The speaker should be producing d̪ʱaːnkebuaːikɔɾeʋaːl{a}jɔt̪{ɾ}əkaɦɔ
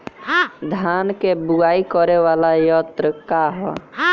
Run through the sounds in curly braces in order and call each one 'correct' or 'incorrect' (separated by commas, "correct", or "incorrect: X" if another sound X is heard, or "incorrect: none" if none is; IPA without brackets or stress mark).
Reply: correct, correct